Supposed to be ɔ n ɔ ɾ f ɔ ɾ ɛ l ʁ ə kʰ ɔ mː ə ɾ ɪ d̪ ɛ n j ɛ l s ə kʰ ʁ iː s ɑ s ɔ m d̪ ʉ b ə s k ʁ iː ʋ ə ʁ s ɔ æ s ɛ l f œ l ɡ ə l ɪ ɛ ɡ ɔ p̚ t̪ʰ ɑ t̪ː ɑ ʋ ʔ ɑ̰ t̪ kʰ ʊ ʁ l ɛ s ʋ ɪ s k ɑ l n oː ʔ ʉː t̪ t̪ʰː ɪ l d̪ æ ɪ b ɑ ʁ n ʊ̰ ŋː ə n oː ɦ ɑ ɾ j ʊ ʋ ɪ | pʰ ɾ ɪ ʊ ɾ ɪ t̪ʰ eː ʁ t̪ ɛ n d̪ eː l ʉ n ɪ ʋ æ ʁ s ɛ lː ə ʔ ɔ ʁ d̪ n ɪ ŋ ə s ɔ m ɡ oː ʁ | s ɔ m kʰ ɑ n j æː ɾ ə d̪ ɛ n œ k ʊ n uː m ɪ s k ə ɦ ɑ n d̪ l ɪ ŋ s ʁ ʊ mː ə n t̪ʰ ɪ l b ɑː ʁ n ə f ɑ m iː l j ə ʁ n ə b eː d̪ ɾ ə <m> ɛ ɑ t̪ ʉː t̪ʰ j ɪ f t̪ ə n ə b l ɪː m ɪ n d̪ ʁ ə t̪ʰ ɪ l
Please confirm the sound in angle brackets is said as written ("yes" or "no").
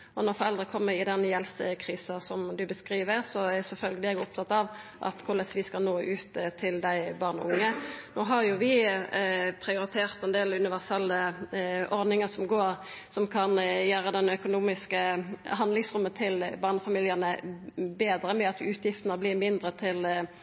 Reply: yes